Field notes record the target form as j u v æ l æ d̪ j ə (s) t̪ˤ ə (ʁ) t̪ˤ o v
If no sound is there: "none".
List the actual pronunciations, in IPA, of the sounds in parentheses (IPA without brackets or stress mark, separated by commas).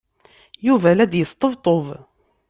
s, v